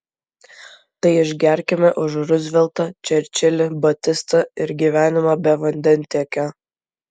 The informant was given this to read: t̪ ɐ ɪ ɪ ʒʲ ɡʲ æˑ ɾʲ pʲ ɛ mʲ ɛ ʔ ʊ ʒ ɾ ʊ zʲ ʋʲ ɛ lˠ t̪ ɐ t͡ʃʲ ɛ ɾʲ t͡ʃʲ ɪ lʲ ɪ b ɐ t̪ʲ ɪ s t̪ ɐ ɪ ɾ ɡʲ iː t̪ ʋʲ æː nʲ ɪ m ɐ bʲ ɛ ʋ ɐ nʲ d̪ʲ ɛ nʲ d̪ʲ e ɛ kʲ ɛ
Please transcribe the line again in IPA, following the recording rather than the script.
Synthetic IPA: t̪ ɐ ɪ ɪ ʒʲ ɡʲ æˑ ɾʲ kʲ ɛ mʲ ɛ ʔ ʊ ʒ ɾ ʊ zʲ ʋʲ ɛ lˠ t̪ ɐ t͡ʃʲ ɛ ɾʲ t͡ʃʲ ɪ lʲ ɪ b ɐ t̪ʲ ɪ s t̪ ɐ ɪ ɾ ɡʲ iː ʋʲ æː nʲ ɪ m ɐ bʲ ɛ ʋ ɐ nʲ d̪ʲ ɛ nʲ t̪ʲ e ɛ kʲ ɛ